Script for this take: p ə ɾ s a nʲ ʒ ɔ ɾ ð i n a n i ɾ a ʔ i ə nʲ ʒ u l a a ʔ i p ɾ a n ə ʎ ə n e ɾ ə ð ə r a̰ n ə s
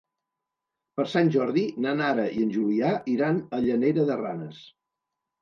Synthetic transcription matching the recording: p ə ɾ s a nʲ ʒ ɔ ɾ ð i n a n a ɾ ə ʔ i ə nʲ ʒ u l i a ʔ i ɾ a n ə ʎ ə n e ɾ ə ð ə r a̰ n ə s